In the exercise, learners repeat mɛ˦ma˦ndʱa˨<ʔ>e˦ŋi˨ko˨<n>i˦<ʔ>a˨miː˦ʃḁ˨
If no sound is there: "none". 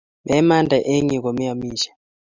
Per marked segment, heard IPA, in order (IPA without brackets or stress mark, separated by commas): ʔ, m, none